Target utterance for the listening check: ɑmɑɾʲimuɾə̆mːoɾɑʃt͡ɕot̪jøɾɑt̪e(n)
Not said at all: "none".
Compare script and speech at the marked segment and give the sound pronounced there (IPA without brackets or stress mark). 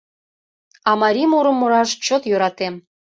m